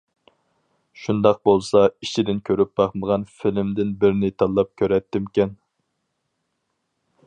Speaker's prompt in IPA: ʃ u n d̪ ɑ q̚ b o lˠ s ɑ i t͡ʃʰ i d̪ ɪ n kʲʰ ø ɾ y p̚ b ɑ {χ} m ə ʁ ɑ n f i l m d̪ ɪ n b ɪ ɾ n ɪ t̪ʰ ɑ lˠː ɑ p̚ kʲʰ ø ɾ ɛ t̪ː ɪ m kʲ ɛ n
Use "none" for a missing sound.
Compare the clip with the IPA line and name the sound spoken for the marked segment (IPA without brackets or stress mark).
χ